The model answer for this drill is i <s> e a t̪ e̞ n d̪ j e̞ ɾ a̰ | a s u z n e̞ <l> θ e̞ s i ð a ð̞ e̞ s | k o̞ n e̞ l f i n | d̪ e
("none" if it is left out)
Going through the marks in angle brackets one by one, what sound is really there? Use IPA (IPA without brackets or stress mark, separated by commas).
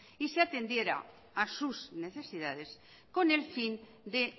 s, none